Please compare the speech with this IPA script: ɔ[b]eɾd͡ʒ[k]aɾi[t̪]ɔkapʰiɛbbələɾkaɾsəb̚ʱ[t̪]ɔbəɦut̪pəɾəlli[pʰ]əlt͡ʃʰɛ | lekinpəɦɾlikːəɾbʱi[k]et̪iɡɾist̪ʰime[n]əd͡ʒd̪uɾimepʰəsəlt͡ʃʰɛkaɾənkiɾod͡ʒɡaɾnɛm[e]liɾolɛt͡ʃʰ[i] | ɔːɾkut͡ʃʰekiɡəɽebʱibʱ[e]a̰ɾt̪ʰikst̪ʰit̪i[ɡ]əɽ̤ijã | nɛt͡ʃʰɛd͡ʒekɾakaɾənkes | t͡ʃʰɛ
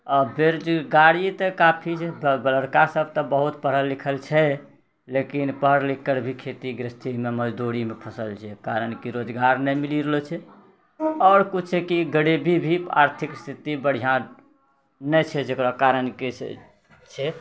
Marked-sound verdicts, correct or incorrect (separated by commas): correct, incorrect, correct, correct, incorrect, incorrect, incorrect, incorrect, incorrect, incorrect, incorrect